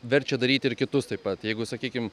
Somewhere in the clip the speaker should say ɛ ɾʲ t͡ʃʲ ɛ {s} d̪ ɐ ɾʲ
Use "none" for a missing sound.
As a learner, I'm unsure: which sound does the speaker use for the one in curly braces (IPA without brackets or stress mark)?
none